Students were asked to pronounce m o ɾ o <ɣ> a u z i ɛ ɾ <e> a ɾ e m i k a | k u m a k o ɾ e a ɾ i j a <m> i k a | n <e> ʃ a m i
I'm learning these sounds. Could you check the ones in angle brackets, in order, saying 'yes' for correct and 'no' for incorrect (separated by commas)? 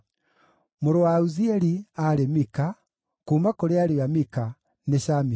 no, no, yes, yes